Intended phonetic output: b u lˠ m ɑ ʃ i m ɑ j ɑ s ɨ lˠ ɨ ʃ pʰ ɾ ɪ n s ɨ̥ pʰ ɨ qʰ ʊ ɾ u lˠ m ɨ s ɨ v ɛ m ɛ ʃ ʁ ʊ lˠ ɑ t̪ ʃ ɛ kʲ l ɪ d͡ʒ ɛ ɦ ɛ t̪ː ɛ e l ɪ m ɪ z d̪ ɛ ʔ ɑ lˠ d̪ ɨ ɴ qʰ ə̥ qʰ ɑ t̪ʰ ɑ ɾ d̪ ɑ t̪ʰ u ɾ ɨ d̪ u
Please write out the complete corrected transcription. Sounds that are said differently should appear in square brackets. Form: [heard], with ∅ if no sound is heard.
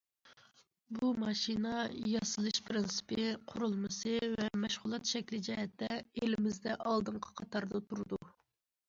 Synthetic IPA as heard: b u [∅] m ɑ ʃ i [n] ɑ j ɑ s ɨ lˠ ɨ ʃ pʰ ɾ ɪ n s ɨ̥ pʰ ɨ qʰ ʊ ɾ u lˠ m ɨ s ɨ v ɛ m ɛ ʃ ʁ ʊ lˠ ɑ t̪ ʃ ɛ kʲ l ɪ d͡ʒ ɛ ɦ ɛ t̪ː ɛ e l ɪ m ɪ z d̪ ɛ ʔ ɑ lˠ d̪ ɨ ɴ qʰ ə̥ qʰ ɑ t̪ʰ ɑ ɾ d̪ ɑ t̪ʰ u ɾ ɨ d̪ u